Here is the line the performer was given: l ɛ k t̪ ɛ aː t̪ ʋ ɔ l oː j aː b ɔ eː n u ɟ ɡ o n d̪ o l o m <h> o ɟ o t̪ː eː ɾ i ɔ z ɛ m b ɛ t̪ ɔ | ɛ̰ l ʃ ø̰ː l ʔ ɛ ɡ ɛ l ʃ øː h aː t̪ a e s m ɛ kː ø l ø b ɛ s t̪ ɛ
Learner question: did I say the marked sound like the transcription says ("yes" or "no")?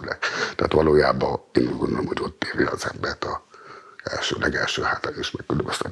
yes